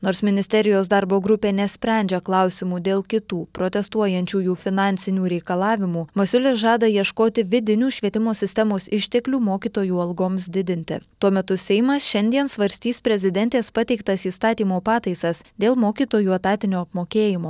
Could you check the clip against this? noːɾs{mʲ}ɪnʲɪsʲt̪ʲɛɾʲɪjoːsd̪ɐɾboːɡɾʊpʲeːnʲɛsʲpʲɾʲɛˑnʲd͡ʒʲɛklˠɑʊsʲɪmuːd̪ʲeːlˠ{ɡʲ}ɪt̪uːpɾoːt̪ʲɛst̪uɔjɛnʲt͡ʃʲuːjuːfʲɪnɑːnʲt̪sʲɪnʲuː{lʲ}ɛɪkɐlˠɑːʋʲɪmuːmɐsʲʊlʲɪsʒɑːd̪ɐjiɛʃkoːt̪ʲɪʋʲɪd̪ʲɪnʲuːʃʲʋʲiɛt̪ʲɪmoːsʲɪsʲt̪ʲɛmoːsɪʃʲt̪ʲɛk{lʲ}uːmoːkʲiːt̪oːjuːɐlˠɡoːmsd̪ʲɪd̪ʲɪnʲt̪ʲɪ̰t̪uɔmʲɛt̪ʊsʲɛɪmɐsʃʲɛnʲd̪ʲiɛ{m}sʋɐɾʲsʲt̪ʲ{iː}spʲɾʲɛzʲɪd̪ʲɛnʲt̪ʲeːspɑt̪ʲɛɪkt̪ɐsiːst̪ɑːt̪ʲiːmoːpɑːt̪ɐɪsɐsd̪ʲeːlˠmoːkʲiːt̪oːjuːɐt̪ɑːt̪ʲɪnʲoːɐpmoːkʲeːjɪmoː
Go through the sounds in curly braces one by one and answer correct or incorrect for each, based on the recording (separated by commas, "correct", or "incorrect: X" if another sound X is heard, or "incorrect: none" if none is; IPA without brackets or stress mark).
correct, incorrect: kʲ, incorrect: ɾʲ, correct, incorrect: n, correct